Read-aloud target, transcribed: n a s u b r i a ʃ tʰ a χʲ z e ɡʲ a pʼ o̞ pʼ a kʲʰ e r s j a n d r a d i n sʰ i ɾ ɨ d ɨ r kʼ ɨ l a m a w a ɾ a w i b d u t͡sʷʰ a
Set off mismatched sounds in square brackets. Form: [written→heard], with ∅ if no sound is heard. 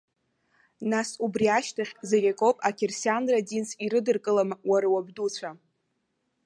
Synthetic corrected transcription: n a s u b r i a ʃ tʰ a χʲ z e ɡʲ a [pʼ→kʼ] o̞ pʼ a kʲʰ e r s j a n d r a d i n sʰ i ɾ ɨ d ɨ r kʼ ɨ l a m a w a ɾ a w [i→a] b d u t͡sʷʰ a